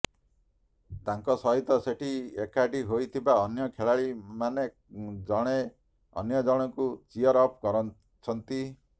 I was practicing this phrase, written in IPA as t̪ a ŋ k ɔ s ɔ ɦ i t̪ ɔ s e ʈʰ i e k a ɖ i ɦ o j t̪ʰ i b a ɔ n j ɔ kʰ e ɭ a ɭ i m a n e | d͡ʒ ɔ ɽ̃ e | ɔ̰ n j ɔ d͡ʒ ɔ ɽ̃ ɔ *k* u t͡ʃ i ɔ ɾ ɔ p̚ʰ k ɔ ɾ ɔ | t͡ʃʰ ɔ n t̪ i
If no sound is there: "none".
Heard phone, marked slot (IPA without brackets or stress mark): k